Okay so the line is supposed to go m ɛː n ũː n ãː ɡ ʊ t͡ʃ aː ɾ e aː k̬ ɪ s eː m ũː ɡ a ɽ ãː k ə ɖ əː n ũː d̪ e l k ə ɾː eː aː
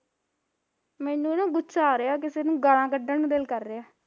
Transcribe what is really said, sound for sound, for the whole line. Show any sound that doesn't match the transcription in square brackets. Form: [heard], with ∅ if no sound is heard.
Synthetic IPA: m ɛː n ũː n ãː ɡ ʊ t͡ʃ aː ɾ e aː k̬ ɪ s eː [n] ũː ɡ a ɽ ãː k ə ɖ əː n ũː d̪ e l k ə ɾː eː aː